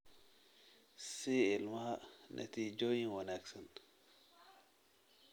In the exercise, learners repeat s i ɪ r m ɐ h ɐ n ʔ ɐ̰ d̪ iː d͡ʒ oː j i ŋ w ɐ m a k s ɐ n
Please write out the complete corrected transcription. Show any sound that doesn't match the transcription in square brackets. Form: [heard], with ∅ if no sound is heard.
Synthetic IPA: s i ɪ [l] m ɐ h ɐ n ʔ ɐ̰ [t̪] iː d͡ʒ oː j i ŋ w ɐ [n] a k s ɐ n